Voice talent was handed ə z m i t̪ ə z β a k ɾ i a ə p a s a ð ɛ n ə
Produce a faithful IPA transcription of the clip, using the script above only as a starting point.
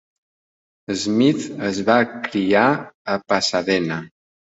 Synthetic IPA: ə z m i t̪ ə z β a k ɾ i a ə p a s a ð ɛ n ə